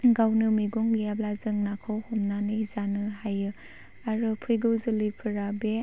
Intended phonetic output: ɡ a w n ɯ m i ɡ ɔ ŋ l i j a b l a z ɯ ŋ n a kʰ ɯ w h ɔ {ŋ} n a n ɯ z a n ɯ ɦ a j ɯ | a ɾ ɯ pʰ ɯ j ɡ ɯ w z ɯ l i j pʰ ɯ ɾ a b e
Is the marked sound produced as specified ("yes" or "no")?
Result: no